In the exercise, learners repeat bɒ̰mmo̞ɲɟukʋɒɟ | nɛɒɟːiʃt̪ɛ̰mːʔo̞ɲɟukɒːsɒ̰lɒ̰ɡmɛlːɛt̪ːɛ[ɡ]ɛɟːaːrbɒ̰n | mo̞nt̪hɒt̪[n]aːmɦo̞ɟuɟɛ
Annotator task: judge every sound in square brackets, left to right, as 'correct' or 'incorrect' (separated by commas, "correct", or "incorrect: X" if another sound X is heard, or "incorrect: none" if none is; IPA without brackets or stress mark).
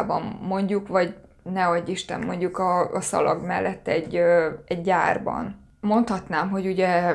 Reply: incorrect: ɟ, correct